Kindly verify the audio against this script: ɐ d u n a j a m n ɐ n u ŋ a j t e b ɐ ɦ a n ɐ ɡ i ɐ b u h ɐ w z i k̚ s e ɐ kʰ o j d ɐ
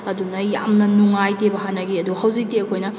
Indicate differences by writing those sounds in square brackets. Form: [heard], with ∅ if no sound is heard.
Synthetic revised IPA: ɐ d u n [ɐ] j a m n ɐ n u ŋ a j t e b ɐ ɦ a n ɐ ɡ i ɐ [d] u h ɐ w z i k̚ [t] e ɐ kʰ o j [n] ɐ